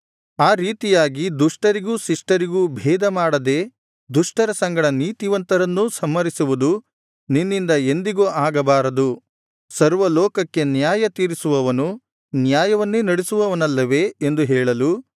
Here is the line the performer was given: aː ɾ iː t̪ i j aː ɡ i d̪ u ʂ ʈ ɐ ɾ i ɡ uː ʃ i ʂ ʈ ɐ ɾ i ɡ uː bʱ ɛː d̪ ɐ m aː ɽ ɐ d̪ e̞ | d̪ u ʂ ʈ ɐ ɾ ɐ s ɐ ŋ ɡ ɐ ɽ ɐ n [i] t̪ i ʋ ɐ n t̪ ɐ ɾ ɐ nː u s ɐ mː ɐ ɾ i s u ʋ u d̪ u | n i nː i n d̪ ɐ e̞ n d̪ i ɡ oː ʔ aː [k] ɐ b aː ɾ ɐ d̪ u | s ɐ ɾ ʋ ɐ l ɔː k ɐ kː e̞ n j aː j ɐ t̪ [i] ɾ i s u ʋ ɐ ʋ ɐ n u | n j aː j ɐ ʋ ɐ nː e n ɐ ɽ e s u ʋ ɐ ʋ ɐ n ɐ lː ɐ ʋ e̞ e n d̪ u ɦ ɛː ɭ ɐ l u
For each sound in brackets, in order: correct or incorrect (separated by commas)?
incorrect, incorrect, incorrect